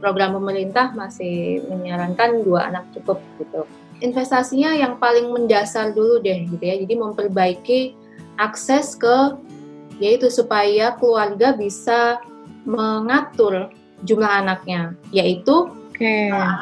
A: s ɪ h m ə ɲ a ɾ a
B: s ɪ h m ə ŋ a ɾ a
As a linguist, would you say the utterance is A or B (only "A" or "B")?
A